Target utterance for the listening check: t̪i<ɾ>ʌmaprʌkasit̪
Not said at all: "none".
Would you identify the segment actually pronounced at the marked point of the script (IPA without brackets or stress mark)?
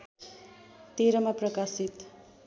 ɾ